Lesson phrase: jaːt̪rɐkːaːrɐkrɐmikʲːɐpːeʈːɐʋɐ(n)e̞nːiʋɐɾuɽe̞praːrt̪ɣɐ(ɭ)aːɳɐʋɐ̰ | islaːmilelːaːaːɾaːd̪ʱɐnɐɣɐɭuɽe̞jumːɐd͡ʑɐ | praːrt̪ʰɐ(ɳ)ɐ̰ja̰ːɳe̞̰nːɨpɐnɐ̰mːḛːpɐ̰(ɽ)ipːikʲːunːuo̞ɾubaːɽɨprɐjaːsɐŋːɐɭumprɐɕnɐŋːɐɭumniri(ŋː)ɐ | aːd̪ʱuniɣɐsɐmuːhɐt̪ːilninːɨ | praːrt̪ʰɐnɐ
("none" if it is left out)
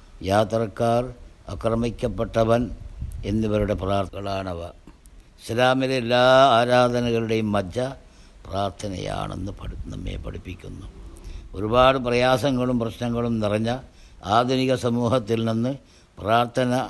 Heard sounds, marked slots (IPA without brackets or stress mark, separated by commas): n, ɭ, n, ɽ, ɲː